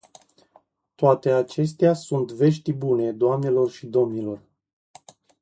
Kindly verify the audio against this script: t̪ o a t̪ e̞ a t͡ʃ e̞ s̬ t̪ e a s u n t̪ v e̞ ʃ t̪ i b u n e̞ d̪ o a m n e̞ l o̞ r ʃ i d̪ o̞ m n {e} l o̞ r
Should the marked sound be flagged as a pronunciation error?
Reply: yes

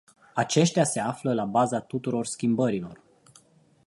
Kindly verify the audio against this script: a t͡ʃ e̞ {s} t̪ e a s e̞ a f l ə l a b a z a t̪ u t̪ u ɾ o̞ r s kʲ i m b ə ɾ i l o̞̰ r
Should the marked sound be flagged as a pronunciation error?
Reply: yes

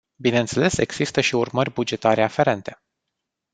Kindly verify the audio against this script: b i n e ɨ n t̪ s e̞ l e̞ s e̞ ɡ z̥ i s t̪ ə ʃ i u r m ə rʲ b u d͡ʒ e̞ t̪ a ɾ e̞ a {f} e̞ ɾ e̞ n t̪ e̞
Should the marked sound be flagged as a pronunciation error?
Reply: no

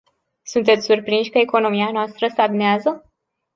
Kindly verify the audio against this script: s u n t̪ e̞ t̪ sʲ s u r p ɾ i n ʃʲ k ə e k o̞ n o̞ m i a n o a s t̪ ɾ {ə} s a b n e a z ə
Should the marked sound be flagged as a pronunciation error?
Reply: no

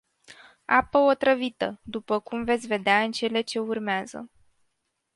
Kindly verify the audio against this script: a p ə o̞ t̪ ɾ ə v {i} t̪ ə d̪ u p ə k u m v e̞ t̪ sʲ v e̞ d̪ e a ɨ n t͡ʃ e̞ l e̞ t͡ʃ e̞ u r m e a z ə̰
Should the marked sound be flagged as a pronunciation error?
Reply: no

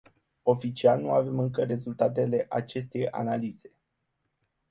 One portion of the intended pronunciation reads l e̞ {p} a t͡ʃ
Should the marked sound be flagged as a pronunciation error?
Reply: yes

